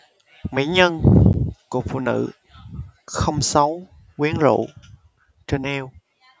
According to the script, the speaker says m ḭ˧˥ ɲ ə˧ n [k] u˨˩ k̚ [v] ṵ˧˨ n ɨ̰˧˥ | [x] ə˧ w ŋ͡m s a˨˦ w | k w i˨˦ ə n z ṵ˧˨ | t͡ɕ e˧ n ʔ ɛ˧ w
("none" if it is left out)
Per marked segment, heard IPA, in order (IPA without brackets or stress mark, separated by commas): k, f, x